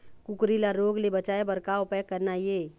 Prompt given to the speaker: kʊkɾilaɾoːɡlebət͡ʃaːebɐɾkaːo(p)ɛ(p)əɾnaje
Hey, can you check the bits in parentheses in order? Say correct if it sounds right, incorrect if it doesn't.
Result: correct, incorrect: k

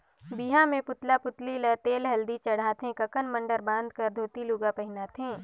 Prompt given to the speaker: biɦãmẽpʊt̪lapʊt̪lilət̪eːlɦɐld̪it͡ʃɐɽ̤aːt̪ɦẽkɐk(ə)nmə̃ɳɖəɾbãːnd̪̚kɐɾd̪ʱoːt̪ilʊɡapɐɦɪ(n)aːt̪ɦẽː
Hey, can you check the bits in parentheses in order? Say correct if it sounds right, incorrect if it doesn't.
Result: correct, correct

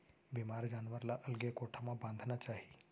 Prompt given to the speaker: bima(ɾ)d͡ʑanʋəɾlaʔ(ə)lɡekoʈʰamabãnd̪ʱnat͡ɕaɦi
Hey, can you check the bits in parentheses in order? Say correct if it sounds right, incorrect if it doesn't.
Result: correct, correct

